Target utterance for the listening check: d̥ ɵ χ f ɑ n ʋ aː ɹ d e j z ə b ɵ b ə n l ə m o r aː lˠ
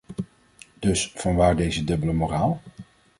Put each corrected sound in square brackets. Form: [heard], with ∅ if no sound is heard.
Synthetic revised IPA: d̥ ɵ [s] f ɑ n ʋ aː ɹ d e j z ə [d] ɵ b ə [∅] l ə m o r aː lˠ